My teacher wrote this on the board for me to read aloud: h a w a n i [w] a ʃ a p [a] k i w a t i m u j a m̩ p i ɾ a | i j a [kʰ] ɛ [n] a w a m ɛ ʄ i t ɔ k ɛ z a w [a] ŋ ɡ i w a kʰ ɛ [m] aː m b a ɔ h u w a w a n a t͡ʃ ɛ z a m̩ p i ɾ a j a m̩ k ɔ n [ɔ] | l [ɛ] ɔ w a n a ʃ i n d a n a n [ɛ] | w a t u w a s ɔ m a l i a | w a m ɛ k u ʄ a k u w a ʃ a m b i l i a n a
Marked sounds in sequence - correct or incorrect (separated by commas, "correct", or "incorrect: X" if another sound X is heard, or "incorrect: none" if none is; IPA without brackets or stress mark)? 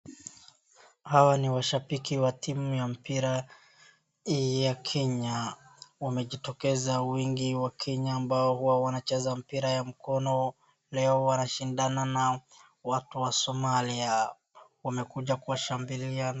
correct, incorrect: i, correct, incorrect: ɲ, incorrect: i, incorrect: ɲ, correct, correct, incorrect: a